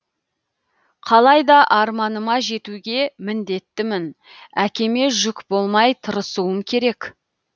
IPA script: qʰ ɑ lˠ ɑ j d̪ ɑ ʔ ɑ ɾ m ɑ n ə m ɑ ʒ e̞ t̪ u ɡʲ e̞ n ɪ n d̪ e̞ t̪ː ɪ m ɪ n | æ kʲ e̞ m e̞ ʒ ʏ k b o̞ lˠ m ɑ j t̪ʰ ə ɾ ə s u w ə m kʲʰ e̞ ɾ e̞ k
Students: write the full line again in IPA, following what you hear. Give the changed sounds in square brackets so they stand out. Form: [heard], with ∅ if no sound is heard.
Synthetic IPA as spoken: qʰ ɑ lˠ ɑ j d̪ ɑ ʔ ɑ ɾ m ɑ n ə m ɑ ʒ e̞ t̪ u ɡʲ e̞ [m] ɪ n d̪ e̞ t̪ː ɪ m ɪ n | æ kʲ e̞ m e̞ ʒ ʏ k b o̞ lˠ m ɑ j t̪ʰ ə ɾ ə s u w ə m kʲʰ e̞ ɾ e̞ k